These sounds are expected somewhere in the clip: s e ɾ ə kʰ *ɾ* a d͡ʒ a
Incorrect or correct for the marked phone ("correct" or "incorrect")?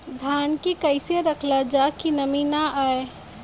incorrect